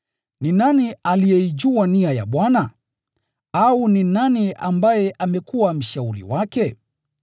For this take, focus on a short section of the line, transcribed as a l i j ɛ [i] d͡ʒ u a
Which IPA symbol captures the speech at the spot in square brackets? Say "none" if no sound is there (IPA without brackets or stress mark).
i